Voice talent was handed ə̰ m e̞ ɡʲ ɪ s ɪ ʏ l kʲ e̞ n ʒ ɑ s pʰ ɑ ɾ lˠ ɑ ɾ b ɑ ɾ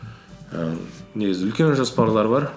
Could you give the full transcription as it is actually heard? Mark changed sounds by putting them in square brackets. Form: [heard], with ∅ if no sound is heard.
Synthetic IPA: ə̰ [n] e̞ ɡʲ ɪ [z] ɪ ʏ l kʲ e̞ n ʒ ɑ s [p] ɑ ɾ lˠ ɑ ɾ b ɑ ɾ